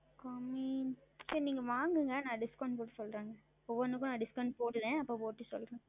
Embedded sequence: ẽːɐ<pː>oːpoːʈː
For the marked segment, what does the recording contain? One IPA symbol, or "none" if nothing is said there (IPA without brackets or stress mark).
pː